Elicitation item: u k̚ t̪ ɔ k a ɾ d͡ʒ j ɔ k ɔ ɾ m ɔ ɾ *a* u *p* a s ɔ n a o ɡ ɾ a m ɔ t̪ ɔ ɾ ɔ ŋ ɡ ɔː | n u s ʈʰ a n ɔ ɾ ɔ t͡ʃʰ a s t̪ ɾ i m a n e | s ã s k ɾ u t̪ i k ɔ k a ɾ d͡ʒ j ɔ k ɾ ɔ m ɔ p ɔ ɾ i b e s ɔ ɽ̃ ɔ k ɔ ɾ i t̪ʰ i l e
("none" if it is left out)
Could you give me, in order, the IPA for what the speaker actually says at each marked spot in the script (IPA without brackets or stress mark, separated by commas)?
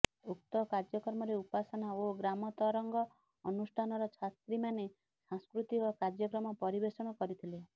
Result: e, p